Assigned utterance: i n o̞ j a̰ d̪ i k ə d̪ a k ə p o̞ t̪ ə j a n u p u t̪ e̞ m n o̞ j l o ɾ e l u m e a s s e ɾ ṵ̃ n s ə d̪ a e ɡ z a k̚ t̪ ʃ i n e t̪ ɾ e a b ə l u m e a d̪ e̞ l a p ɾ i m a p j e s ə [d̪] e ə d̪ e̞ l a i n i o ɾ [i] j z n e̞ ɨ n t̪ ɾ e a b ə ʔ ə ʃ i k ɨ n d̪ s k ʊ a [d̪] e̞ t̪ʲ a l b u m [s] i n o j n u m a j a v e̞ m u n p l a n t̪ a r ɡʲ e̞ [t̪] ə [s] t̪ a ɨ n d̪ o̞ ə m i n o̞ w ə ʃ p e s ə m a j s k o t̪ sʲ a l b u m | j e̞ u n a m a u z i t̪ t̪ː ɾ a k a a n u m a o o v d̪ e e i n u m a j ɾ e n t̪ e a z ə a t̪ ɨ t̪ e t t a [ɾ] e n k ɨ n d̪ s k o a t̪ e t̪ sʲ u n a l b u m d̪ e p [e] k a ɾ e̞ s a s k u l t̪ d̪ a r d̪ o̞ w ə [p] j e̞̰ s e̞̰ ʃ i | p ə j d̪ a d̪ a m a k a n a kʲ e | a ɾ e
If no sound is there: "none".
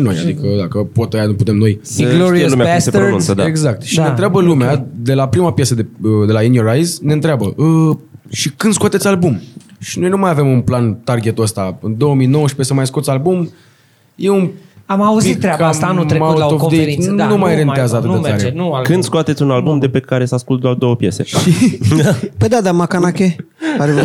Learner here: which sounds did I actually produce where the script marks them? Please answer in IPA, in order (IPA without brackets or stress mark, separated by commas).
d̪, a, t̪, ʃ, t̪, s, ɾ, e, p